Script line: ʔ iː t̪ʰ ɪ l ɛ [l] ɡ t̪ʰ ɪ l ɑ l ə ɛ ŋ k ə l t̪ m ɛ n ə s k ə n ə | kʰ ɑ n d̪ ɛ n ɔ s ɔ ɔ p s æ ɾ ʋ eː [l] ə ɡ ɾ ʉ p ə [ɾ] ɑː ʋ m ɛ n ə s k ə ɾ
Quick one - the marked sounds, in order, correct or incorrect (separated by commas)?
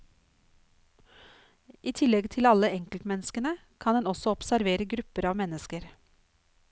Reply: incorrect, incorrect, correct